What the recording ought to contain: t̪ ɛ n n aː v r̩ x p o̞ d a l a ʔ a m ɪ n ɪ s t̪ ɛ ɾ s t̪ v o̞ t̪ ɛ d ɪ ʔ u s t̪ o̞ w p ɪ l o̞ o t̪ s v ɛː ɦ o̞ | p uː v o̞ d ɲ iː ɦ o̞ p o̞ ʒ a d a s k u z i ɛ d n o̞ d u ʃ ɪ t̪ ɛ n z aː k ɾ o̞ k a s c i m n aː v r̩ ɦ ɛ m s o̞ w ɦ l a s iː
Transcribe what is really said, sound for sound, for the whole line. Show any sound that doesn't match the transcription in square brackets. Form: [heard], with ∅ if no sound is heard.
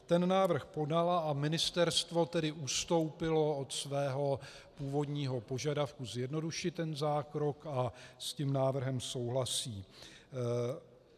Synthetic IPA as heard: t̪ ɛ n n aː v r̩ x p o̞ d a l a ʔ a m ɪ n ɪ s t̪ ɛ ɾ s t̪ v o̞ t̪ ɛ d ɪ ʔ u s t̪ o̞ w p ɪ l o̞ o t̪ s v ɛː ɦ o̞ | p uː v o̞ d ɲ iː ɦ o̞ p o̞ ʒ a d a [f] k u z [j] ɛ d n o̞ d u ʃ ɪ t̪ ɛ n z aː k ɾ o̞ k a s c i m n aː v r̩ ɦ ɛ m s o̞ w ɦ l a s iː